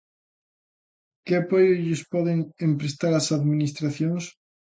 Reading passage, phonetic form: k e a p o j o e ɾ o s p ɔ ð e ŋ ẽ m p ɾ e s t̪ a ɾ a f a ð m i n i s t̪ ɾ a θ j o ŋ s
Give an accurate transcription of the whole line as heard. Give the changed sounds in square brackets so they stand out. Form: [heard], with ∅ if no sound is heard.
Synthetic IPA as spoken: k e a p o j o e [ʎ] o s p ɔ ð e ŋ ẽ m p ɾ e s t̪ a ɾ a [s] a ð m i n i s t̪ ɾ a θ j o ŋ s